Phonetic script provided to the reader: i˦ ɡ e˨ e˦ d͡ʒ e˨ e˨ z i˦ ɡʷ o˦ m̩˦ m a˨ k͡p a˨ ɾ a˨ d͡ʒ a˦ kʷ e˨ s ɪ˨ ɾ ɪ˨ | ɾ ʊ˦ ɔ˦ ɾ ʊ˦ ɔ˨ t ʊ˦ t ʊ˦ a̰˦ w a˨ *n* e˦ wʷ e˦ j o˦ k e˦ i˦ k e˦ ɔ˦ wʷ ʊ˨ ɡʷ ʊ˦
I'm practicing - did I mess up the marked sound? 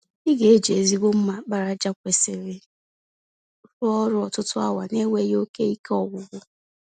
no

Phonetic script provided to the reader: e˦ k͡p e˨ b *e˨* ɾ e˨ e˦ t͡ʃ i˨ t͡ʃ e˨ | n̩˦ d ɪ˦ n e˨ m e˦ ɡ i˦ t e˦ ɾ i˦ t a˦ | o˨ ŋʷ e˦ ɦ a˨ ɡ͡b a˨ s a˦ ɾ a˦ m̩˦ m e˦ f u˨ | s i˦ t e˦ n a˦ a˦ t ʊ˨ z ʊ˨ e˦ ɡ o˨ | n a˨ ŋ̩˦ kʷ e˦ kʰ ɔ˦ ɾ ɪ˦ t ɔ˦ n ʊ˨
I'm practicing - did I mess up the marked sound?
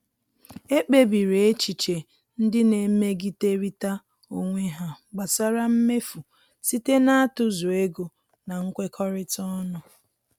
yes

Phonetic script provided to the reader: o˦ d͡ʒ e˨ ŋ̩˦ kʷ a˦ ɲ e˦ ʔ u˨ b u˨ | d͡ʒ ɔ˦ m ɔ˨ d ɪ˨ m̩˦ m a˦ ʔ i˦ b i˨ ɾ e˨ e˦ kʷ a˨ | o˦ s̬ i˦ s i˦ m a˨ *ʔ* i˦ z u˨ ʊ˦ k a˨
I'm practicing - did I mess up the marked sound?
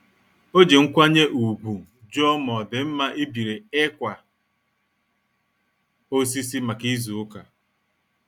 yes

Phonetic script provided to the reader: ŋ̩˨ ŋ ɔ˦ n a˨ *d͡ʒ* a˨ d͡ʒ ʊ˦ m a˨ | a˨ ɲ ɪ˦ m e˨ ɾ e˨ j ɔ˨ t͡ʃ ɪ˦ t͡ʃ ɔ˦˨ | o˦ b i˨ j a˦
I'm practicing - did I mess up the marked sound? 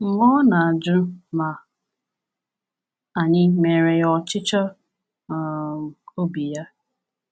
yes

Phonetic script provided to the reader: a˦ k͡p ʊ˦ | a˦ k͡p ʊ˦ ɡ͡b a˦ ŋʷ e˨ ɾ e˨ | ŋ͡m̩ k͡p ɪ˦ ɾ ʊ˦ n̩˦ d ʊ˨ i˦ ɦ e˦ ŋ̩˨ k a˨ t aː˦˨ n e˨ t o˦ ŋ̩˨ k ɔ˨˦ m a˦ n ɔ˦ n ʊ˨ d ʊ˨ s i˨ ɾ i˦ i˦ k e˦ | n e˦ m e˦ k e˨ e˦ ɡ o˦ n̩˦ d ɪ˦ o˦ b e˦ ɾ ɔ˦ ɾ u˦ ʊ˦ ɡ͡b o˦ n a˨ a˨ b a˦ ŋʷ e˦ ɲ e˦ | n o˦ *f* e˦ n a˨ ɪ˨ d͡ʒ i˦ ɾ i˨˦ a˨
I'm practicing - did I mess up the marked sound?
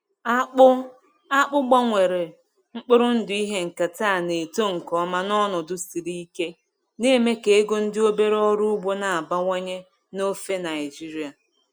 no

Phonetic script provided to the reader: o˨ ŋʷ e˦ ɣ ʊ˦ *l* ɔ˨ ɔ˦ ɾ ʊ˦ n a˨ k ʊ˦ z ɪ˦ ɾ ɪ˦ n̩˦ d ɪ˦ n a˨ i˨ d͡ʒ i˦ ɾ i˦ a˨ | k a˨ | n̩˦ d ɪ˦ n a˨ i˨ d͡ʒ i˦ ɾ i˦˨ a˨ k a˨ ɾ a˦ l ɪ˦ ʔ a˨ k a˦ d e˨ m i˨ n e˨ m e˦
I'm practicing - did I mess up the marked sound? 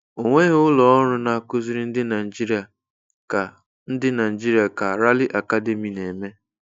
no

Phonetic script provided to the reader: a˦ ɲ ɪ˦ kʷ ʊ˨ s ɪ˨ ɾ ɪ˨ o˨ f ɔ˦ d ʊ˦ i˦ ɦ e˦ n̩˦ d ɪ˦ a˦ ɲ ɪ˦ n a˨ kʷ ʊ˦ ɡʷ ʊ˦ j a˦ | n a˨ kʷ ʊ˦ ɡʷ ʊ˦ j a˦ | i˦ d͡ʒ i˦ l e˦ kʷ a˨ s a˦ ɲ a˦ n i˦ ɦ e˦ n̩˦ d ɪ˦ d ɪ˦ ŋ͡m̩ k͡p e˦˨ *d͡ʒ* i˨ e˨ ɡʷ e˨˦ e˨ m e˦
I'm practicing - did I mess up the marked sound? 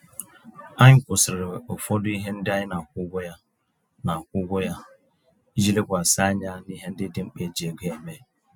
no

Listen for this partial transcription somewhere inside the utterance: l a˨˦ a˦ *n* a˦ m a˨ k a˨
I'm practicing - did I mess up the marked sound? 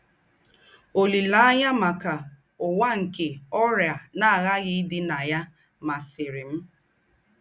yes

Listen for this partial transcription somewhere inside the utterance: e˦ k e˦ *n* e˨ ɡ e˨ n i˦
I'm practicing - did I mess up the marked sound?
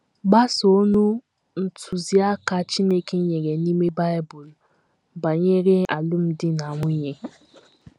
yes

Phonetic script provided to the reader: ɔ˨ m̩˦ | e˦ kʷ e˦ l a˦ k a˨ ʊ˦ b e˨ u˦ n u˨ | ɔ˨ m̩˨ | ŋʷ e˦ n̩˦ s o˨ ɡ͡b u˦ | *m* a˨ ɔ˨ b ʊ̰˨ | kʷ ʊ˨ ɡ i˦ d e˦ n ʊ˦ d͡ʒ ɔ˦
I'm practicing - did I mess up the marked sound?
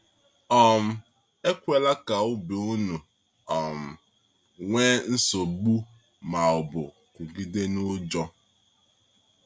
no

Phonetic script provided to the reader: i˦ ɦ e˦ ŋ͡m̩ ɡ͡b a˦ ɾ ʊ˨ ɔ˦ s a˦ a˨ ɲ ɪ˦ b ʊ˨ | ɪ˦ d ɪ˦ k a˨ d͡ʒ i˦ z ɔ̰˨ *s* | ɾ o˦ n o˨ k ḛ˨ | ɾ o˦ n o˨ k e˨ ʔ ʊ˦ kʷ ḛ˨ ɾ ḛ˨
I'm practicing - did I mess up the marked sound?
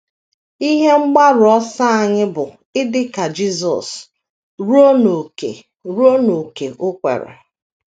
no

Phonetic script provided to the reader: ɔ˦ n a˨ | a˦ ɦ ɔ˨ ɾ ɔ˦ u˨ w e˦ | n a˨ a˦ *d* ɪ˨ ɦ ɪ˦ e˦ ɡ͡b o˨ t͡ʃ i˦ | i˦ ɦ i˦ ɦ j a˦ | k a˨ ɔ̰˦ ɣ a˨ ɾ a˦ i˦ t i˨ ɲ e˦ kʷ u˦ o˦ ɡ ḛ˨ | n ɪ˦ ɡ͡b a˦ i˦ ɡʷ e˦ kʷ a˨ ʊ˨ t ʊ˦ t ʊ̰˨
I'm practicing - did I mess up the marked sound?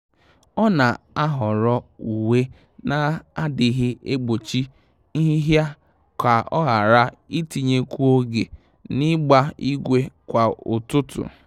no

